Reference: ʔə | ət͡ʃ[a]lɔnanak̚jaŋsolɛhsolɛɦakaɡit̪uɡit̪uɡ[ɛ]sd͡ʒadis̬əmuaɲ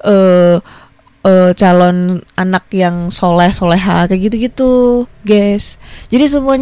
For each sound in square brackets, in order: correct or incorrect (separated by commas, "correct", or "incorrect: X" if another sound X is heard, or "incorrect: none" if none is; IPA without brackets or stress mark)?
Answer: correct, correct